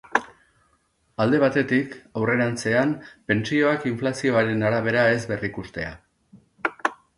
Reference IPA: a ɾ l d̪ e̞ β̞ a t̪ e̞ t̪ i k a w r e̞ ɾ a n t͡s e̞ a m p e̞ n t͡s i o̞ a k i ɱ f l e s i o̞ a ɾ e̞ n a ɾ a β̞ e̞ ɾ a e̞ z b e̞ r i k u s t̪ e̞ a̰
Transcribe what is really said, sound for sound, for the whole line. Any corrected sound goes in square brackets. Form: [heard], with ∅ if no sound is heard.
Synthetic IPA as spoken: a [∅] l d̪ e̞ β̞ a t̪ e̞ t̪ i k a w r e̞ ɾ a n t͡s e̞ a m p e̞ n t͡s i o̞ a k i ɱ f l [a] s i o̞ a ɾ e̞ n a ɾ a β̞ e̞ ɾ a e̞ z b e̞ r i k u s t̪ e̞ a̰